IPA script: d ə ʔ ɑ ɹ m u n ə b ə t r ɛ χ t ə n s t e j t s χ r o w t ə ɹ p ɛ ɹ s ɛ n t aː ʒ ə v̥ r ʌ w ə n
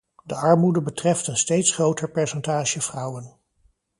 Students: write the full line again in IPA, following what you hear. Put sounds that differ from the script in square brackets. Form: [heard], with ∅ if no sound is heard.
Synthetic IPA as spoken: d ə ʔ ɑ ɹ m u [d] ə b ə t r ɛ [f] t ə n s t e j t s χ r o w t ə ɹ p ɛ ɹ s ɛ n t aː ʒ ə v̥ r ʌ w ə n